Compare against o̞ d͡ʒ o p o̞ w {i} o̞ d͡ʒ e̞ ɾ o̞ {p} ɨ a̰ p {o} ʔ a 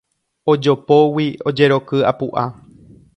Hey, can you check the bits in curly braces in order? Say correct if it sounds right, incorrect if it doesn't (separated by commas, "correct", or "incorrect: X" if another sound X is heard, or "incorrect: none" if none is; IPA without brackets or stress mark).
correct, incorrect: k, incorrect: u